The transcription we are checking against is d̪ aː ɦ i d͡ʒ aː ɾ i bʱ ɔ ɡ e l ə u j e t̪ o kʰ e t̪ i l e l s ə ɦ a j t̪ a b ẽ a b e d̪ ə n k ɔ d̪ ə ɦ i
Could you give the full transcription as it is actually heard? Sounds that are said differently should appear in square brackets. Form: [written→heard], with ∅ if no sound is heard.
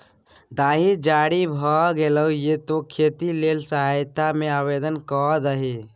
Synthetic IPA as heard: d̪ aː ɦ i d͡ʒ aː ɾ i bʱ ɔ ɡ e l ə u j e t̪ o kʰ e t̪ i l e l s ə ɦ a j t̪ a [b→m] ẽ a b e d̪ ə n k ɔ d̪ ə ɦ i